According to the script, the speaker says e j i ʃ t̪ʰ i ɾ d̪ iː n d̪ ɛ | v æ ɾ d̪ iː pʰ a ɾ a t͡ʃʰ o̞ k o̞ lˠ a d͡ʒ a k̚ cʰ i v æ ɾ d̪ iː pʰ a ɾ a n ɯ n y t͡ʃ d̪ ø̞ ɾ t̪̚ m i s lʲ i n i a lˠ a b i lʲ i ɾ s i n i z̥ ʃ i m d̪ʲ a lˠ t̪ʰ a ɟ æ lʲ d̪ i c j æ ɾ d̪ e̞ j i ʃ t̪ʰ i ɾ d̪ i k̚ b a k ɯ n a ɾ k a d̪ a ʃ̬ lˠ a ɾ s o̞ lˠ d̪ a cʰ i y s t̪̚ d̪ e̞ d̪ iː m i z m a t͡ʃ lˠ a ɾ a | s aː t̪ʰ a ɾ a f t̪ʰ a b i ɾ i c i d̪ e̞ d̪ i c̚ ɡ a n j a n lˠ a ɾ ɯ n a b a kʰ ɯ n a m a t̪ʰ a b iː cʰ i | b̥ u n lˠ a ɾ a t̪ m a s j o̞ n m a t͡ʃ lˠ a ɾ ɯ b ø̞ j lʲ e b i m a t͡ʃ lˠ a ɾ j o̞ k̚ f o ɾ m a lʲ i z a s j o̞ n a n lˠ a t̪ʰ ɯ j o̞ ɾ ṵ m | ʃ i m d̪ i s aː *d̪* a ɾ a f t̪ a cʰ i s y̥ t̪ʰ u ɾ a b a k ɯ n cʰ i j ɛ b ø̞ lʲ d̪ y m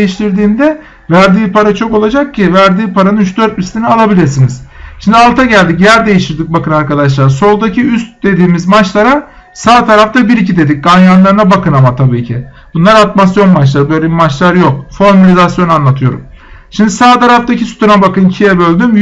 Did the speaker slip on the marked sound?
yes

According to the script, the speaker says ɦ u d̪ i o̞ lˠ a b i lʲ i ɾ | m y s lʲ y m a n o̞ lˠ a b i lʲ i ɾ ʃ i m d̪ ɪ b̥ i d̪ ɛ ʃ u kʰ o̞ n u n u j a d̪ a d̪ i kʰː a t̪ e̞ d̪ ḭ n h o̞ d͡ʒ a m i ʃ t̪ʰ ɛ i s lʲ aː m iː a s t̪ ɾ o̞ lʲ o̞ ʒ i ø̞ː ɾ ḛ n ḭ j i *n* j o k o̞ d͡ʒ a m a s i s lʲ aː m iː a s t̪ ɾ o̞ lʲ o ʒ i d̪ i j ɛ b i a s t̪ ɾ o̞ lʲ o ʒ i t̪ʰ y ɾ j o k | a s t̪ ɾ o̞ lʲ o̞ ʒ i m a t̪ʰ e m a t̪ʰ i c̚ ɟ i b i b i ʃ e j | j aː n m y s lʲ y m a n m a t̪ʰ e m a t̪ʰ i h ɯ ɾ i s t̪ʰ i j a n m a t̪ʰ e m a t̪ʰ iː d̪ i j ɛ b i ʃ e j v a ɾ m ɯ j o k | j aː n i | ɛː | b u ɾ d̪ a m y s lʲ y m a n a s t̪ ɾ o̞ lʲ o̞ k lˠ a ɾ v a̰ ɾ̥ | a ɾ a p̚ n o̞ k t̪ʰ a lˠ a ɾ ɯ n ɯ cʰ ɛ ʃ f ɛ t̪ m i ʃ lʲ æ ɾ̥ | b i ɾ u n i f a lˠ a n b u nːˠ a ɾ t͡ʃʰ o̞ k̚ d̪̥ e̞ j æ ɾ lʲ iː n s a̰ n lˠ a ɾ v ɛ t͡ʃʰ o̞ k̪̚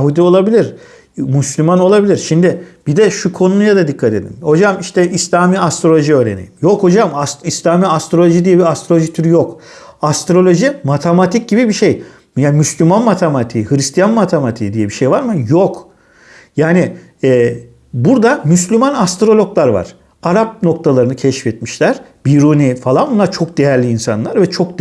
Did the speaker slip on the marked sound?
yes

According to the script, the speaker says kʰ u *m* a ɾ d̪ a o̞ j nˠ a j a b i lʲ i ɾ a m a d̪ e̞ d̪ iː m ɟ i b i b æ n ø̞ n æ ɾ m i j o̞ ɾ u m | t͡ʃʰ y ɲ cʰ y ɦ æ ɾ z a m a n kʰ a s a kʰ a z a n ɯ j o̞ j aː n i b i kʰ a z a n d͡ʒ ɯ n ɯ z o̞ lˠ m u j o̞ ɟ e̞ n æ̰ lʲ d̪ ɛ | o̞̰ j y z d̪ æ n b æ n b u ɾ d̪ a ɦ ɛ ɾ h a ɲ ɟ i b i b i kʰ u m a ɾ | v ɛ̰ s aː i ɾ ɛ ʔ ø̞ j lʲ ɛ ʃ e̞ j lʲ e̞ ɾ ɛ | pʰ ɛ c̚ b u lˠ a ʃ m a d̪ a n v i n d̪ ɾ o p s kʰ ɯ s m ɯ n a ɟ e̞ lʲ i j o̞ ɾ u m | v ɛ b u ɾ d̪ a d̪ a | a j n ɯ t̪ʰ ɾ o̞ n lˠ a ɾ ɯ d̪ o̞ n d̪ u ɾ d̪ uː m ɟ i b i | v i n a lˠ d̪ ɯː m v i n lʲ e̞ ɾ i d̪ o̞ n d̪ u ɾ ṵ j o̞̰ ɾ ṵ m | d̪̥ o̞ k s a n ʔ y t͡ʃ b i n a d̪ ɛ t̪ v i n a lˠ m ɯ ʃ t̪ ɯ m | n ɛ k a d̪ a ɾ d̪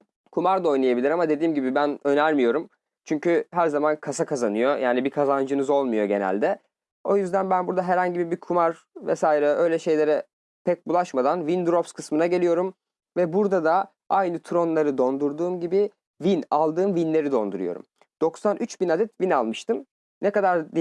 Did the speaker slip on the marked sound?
no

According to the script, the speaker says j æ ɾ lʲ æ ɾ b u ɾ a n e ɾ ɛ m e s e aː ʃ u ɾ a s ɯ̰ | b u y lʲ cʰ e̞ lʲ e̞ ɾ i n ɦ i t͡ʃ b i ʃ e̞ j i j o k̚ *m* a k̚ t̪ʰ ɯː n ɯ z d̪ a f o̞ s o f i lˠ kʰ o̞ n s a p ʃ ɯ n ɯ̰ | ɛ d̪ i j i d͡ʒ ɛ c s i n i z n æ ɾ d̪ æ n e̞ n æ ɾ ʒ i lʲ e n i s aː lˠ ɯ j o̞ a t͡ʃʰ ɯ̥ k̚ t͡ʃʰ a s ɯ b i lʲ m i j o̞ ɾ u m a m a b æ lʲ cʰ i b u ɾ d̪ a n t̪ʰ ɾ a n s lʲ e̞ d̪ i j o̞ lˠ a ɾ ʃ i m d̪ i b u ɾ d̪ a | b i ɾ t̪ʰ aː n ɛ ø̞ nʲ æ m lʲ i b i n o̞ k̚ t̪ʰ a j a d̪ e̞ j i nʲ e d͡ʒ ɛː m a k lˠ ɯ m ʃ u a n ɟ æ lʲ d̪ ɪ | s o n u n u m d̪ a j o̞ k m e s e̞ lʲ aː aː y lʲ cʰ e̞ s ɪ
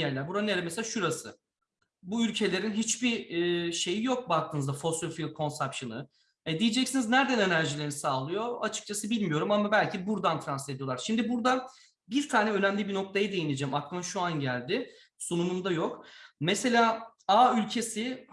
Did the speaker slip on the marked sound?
yes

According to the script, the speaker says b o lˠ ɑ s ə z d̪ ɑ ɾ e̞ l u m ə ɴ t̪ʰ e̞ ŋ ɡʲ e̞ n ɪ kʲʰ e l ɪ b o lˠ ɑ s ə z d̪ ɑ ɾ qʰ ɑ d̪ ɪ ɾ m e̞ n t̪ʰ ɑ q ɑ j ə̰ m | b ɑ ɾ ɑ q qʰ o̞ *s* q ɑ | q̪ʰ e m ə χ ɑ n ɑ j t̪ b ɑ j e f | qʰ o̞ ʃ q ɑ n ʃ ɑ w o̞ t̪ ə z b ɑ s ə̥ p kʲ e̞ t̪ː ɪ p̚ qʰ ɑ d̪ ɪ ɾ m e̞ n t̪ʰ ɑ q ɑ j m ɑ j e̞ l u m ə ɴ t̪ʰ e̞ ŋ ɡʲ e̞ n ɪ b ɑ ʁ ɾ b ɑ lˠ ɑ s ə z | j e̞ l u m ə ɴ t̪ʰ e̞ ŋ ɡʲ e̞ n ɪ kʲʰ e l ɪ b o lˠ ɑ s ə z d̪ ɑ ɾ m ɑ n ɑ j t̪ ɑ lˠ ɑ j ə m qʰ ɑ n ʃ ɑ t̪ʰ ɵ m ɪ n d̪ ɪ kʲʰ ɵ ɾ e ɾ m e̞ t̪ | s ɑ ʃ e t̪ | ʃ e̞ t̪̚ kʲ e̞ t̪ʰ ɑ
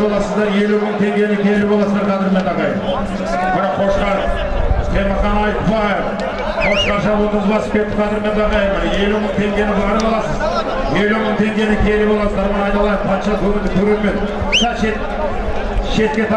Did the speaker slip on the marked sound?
yes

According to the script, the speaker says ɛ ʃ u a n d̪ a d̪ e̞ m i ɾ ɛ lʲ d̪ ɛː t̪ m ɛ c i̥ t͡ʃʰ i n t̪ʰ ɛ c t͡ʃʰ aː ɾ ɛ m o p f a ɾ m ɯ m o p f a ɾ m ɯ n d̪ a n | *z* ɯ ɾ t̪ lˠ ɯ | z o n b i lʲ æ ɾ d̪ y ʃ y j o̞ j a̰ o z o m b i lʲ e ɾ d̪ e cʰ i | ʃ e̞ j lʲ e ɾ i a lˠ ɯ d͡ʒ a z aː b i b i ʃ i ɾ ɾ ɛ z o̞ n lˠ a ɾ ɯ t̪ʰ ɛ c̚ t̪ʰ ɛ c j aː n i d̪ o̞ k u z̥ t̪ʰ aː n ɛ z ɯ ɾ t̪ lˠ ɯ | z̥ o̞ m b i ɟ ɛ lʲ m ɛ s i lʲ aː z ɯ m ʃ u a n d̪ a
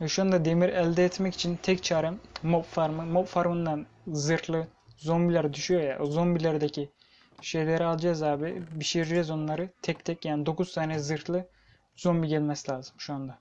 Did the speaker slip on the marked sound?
no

